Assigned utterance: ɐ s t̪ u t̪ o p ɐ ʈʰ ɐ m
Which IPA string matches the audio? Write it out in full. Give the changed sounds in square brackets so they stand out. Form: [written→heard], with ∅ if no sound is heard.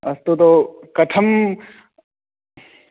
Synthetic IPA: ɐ s t̪ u t̪ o [p→k] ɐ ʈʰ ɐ m